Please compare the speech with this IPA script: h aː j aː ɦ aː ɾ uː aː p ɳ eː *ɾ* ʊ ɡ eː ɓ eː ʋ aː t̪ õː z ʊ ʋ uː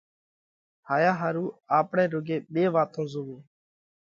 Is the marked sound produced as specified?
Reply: yes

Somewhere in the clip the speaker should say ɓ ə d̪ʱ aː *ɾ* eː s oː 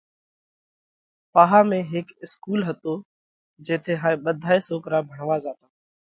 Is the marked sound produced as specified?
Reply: no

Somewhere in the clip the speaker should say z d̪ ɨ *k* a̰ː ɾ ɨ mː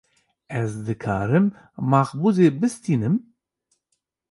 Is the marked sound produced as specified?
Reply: no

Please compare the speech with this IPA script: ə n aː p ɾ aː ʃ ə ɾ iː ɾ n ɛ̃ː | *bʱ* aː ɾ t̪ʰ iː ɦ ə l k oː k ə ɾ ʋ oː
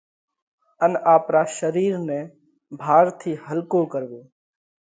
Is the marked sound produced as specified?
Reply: yes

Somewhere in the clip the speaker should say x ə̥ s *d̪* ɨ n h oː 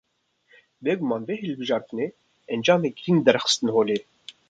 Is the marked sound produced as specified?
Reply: no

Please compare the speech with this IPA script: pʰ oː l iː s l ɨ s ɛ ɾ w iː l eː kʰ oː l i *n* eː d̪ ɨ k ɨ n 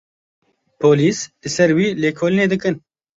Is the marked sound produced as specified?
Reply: yes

